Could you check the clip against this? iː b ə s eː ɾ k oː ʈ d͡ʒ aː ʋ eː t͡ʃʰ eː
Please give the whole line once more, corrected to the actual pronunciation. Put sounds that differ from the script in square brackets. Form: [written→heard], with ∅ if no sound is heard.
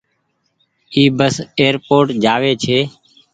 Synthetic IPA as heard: iː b ə s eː ɾ [k→p] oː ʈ d͡ʒ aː ʋ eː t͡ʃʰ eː